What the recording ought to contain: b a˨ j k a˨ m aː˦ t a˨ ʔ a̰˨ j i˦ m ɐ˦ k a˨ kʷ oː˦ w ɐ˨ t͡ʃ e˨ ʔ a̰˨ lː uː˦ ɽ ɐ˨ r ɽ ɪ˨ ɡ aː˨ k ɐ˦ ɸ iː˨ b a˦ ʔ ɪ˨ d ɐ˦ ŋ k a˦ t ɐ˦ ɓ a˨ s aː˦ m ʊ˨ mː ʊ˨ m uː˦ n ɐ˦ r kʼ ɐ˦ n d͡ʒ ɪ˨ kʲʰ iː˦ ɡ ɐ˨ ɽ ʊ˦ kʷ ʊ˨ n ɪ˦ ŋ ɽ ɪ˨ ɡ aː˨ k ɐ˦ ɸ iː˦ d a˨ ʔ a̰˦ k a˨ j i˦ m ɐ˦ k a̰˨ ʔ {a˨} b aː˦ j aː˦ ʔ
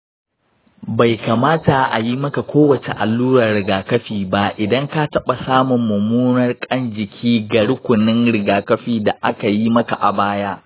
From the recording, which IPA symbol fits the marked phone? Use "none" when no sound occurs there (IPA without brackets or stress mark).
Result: a˨